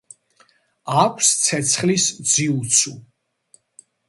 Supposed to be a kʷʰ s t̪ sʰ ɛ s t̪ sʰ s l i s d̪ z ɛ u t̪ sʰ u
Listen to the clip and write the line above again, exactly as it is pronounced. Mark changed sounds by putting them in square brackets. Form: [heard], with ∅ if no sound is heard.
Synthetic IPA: a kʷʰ s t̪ sʰ ɛ [∅] t̪ sʰ [χ] l i s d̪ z [i] u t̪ sʰ u